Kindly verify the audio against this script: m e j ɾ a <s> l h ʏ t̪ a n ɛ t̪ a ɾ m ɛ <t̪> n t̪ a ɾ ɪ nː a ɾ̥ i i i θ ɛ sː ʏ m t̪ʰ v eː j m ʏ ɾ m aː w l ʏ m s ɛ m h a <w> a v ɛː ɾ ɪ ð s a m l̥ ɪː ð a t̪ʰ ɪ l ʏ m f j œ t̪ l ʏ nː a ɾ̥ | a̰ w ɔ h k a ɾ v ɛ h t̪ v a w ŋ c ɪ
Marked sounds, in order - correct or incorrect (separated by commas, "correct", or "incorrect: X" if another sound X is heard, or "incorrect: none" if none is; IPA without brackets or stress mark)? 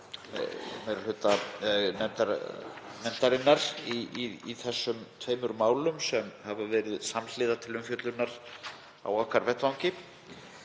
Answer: incorrect: none, incorrect: none, incorrect: v